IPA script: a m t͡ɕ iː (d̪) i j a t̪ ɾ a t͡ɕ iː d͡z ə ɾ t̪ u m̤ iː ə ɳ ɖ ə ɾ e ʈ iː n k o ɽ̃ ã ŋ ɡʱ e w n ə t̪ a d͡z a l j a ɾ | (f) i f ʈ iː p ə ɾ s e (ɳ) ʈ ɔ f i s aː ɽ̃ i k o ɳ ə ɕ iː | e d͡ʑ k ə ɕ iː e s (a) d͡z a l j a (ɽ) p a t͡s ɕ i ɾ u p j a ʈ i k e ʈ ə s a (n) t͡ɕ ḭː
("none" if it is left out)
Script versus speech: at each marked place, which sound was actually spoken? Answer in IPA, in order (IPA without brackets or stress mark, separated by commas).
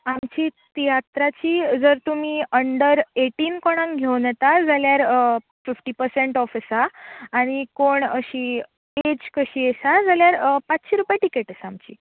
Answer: t̪, f, ɳ, a, ɾ, m